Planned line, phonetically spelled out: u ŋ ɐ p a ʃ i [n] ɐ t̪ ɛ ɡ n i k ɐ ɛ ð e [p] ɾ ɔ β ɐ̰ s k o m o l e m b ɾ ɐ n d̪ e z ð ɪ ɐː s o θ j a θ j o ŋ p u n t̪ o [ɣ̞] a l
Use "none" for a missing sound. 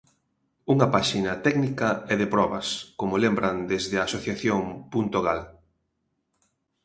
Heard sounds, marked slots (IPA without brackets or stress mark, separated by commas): n, p, ɣ̞